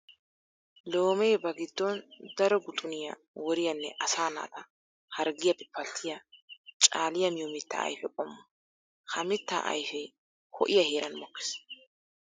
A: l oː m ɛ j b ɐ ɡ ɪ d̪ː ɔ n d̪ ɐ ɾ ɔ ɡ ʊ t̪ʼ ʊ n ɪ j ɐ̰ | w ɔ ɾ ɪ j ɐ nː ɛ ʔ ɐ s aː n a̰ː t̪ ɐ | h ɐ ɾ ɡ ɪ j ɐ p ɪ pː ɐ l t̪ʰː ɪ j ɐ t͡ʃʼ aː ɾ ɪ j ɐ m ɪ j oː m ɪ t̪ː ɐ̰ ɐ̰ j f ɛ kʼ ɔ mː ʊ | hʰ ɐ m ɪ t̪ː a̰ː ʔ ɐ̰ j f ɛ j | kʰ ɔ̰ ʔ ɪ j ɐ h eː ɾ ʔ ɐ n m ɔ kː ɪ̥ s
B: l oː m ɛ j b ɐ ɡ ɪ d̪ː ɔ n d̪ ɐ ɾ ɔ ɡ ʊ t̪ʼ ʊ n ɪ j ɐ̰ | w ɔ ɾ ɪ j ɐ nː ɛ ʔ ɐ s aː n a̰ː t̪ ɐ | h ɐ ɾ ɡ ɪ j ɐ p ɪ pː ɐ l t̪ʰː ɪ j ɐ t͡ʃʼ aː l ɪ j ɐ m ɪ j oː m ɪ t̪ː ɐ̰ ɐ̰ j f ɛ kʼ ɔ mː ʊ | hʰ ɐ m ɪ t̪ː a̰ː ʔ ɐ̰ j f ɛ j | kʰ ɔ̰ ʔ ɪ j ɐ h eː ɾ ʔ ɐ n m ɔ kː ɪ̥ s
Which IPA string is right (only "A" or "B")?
B